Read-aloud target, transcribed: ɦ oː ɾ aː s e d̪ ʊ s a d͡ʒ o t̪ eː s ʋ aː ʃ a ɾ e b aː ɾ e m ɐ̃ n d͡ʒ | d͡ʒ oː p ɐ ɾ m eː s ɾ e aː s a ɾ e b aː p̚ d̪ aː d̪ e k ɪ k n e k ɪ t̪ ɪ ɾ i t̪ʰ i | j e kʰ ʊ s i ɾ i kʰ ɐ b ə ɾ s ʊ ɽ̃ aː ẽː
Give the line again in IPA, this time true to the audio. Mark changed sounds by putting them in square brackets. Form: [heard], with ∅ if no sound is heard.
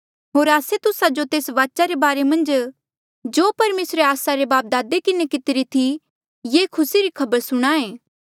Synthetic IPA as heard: ɦ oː ɾ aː s e [t̪] ʊ s a d͡ʒ o t̪ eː s ʋ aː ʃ a ɾ e b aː ɾ e m ɐ̃ n d͡ʒ | d͡ʒ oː p ɐ ɾ m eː s ɾ e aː s a ɾ e b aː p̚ d̪ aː d̪ e k ɪ [∅] n e k ɪ t̪ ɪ ɾ i t̪ʰ i | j e kʰ ʊ s i ɾ i kʰ ɐ b ə ɾ s ʊ ɽ̃ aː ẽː

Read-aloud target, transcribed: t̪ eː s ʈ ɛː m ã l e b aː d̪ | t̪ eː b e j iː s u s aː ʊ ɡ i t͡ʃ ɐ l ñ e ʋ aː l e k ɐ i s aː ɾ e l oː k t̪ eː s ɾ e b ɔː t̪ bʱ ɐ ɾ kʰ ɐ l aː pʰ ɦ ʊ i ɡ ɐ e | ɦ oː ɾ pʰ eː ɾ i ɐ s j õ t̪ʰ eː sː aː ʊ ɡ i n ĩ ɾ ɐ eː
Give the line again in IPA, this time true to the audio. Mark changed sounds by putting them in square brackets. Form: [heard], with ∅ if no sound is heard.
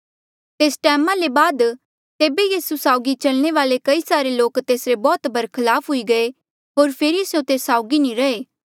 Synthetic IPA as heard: t̪ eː s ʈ ɛː m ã l e b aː d̪ | t̪ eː b e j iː s u s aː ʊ ɡ i t͡ʃ ɐ l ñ e ʋ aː l e k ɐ i s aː ɾ e l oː k t̪ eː s ɾ e b ɔː t̪ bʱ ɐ ɾ kʰ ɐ l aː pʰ ɦ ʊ i ɡ ɐ e | ɦ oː ɾ pʰ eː ɾ i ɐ s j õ [t̪] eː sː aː ʊ ɡ i n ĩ ɾ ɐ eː

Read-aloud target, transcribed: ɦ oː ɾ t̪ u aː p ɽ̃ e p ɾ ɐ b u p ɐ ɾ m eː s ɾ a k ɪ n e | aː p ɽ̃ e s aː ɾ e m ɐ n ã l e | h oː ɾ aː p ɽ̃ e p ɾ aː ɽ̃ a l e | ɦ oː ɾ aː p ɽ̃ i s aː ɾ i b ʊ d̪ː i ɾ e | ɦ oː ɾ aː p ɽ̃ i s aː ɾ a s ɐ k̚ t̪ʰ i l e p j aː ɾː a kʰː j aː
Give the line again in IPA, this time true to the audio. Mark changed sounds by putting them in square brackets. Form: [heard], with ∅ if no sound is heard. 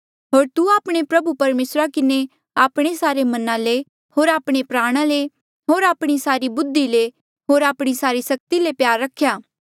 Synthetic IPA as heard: ɦ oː ɾ t̪ u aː p ɽ̃ e p ɾ ɐ b u p ɐ ɾ m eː s ɾ a k ɪ n e | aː p ɽ̃ e s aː ɾ e m ɐ n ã l e | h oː ɾ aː p ɽ̃ e p ɾ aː ɽ̃ a l e | ɦ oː ɾ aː p ɽ̃ i s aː ɾ i b ʊ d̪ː i [l] e | ɦ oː ɾ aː p ɽ̃ i s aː ɾ [i] s ɐ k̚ [t̪] i l e p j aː ɾː [ɐ] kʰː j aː

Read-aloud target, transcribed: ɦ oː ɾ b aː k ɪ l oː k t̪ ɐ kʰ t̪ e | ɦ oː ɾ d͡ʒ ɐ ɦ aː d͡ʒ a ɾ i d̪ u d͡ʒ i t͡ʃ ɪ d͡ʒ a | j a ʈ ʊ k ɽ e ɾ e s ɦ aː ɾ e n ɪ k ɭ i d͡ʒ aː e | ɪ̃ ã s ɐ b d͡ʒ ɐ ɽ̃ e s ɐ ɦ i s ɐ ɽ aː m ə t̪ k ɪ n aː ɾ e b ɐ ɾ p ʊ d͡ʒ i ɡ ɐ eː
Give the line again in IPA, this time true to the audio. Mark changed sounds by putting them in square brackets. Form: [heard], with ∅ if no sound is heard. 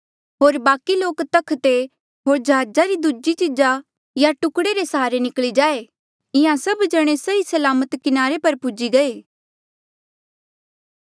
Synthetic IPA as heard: ɦ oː ɾ b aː k [i] l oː k t̪ ɐ kʰ t̪ e | ɦ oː ɾ d͡ʒ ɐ ɦ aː d͡ʒ a ɾ i d̪ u d͡ʒ i t͡ʃ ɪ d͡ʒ a | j a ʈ ʊ k ɽ e ɾ e s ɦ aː ɾ e n ɪ k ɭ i d͡ʒ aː e | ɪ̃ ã s ɐ b d͡ʒ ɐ ɽ̃ e s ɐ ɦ i s ɐ [l] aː m ə t̪ k ɪ n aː ɾ e [p] ɐ ɾ p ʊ d͡ʒ i ɡ ɐ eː

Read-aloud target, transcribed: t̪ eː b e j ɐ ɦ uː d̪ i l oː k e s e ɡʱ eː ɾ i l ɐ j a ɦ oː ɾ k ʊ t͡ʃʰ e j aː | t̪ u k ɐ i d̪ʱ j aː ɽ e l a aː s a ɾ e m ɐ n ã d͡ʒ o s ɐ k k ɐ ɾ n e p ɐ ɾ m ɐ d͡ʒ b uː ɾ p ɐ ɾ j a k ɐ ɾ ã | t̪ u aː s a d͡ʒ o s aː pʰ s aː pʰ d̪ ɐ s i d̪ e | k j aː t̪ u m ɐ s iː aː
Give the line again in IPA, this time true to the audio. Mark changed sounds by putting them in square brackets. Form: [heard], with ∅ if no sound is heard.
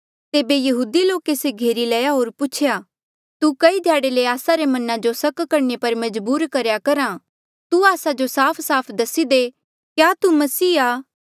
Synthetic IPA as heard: t̪ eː b e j ɐ ɦ uː d̪ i l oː k e s e ɡʱ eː ɾ i l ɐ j a ɦ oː ɾ [p] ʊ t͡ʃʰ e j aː | t̪ u k ɐ i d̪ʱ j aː ɽ e l [e] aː s a ɾ e m ɐ n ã d͡ʒ o s ɐ k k ɐ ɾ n e p ɐ ɾ m ɐ d͡ʒ b uː ɾ [k] ɐ ɾ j a k ɐ ɾ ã | t̪ u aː s a d͡ʒ o s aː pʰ s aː pʰ d̪ ɐ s i d̪ e | k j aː t̪ u m ɐ s iː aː

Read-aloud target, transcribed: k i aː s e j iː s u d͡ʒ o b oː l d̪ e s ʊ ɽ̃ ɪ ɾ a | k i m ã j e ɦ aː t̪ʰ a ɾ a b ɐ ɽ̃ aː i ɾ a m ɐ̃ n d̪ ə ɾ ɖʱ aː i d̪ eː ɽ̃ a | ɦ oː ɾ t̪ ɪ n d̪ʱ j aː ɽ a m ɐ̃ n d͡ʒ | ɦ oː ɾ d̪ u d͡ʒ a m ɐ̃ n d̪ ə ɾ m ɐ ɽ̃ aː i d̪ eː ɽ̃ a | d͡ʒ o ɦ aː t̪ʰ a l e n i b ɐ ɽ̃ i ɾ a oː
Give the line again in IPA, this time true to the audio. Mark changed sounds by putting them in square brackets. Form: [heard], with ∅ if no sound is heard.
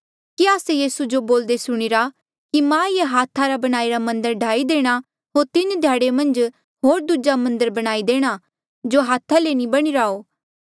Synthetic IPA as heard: k i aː s e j iː s u d͡ʒ o b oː l d̪ e s ʊ ɽ̃ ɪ ɾ a | k i m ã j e ɦ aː t̪ʰ a ɾ a b ɐ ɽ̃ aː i ɾ a m ɐ̃ n d̪ ə ɾ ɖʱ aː i d̪ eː ɽ̃ a | ɦ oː ɾ t̪ ɪ n d̪ʱ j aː ɽ [e] m ɐ̃ n d͡ʒ | ɦ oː ɾ d̪ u d͡ʒ a m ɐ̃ n d̪ ə ɾ [b] ɐ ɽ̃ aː i d̪ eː ɽ̃ a | d͡ʒ o ɦ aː t̪ʰ a l e n i b ɐ ɽ̃ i ɾ a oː

